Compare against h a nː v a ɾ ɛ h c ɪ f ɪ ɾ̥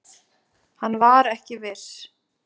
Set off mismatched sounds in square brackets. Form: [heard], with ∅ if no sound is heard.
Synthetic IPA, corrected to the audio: h a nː v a ɾ ɛ h c ɪ [v] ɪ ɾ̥